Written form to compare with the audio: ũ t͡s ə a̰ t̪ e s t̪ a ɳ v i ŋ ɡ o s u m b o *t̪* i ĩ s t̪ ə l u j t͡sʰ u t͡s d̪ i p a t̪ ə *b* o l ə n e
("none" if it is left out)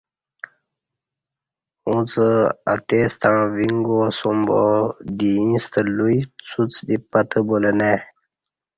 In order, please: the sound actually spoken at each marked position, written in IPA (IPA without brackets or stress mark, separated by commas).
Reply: d̪, b